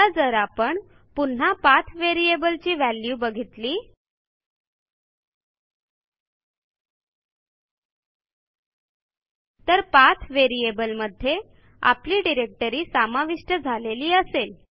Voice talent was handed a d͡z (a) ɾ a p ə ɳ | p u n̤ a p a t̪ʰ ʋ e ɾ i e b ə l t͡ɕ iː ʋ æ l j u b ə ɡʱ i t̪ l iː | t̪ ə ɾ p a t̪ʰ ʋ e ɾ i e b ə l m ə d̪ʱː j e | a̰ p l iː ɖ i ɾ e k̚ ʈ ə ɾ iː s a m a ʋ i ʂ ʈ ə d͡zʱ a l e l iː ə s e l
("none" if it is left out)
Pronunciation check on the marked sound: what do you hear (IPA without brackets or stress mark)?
ə